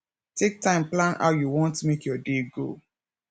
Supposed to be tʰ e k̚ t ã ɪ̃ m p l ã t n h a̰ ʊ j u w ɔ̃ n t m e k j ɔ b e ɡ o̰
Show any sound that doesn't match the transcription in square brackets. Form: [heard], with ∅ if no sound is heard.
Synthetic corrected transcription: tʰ e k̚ t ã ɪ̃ m p l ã [∅] n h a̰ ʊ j u w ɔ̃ n t m e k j ɔ [d] e ɡ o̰